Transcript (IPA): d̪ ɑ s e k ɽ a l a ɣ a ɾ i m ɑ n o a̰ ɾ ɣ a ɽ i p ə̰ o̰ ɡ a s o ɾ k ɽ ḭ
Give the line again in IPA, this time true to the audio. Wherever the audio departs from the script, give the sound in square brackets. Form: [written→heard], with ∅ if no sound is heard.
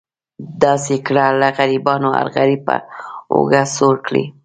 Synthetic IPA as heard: d̪ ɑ s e k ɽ a l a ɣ a ɾ i [m→b] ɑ n o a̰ ɾ ɣ a [ɽ→ɾ] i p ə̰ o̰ ɡ a s o ɾ k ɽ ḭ